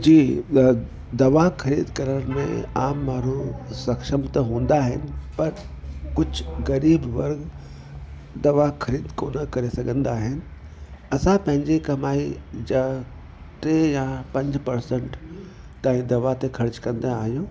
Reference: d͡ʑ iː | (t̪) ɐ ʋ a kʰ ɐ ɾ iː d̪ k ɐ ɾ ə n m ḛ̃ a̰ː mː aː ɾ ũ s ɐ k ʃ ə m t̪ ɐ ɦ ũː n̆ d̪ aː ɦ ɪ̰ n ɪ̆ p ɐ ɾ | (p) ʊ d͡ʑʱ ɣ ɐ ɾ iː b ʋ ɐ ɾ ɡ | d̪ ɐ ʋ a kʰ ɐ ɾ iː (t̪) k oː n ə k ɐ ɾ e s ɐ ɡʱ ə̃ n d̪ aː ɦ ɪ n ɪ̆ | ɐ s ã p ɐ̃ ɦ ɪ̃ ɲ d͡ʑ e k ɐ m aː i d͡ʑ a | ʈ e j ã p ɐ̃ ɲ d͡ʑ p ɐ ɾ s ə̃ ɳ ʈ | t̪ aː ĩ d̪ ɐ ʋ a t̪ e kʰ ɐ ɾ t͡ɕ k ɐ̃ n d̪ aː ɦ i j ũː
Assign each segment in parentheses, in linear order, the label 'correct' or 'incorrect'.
incorrect, incorrect, incorrect

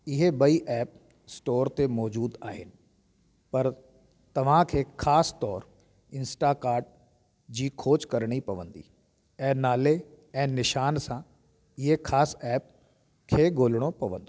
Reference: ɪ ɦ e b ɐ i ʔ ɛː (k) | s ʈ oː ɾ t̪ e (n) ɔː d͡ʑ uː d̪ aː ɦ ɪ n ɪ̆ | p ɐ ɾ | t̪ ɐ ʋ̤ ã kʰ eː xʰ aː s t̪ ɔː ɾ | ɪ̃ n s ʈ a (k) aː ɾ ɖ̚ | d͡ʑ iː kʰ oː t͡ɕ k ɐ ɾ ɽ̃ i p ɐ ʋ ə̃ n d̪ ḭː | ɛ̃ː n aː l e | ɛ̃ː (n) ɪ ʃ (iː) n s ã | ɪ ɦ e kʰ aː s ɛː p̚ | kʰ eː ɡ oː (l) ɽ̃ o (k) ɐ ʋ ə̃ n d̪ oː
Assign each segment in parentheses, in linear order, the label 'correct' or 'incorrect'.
incorrect, incorrect, correct, correct, incorrect, correct, incorrect

